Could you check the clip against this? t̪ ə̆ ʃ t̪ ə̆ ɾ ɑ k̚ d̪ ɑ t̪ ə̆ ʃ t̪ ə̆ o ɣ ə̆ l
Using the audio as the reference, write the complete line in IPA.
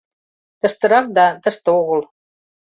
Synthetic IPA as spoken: t̪ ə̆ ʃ t̪ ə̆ ɾ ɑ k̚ d̪ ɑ t̪ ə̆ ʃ t̪ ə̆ o ɣ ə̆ l